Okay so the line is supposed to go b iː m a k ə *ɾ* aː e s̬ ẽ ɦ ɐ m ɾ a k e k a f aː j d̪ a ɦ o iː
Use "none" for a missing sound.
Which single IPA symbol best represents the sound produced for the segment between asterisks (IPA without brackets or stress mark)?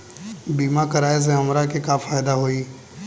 ɾ